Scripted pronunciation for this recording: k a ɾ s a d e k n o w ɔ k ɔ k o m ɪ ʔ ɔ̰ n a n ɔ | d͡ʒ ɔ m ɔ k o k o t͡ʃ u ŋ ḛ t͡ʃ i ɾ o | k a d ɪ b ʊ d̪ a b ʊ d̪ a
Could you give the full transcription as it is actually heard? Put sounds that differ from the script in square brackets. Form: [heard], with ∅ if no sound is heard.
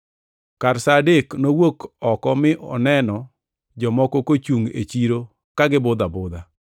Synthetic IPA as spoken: k a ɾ s a d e k n o w [o] k ɔ k [ɔ] m ɪ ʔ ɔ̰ n [ɛ] n ɔ | d͡ʒ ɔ m ɔ k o k o t͡ʃ u ŋ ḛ t͡ʃ i ɾ o | k a [ɡ] ɪ b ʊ d̪ a b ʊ d̪ a